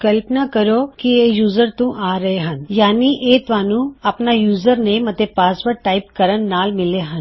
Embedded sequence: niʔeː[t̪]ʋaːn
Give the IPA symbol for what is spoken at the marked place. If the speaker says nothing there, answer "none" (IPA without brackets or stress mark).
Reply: t̪